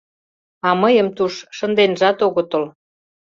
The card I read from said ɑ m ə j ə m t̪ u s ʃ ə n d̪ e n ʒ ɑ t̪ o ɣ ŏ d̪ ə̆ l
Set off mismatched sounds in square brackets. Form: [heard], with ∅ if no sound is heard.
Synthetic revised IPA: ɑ m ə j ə m t̪ u [ʃ] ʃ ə n d̪ e n ʒ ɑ t̪ o ɣ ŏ [t̪] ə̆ l